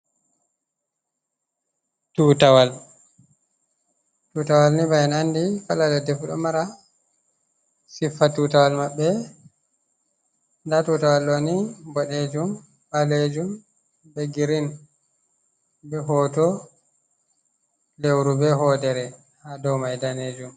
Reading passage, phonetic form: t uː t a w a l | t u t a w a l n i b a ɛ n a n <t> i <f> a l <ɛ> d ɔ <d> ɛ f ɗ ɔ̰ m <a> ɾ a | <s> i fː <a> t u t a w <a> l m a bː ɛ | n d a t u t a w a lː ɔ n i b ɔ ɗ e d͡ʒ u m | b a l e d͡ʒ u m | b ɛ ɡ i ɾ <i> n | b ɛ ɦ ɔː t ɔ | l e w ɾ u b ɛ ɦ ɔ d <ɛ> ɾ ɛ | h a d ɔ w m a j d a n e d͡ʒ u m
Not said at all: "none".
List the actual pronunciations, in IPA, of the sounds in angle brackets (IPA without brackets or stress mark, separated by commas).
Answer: d, f, a, d, a, s, a, a, i, ɛ